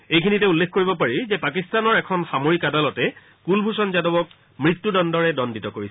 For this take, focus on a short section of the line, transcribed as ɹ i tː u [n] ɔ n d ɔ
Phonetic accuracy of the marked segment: incorrect: d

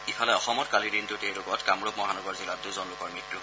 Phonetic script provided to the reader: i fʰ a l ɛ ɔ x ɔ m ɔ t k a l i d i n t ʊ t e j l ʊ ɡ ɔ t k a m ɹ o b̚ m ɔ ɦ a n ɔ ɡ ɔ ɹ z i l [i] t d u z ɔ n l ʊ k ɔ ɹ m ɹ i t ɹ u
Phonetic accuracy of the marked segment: incorrect: a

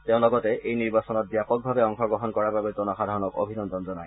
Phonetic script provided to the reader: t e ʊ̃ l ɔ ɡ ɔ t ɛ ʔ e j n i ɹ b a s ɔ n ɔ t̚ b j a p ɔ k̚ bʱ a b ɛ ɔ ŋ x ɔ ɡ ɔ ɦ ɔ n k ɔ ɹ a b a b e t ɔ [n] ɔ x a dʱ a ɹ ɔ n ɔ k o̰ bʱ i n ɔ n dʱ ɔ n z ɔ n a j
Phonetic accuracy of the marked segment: correct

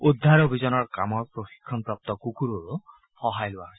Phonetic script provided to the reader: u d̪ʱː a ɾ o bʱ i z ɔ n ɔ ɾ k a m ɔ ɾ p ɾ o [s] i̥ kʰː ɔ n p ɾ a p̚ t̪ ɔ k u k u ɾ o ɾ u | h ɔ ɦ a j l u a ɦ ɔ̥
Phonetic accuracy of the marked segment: incorrect: x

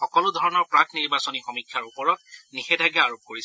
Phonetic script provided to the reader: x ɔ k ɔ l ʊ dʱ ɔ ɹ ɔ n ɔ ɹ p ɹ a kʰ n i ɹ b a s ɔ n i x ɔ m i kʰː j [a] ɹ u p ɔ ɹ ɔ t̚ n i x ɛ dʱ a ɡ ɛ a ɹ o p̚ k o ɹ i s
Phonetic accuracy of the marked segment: correct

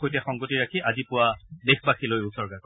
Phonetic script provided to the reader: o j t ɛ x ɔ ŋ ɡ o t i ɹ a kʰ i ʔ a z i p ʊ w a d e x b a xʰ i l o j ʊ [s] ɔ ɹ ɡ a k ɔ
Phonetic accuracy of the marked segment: correct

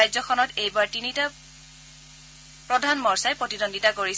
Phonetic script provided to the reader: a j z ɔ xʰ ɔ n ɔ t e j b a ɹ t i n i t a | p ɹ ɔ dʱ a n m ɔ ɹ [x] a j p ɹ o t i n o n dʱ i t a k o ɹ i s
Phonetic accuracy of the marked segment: incorrect: s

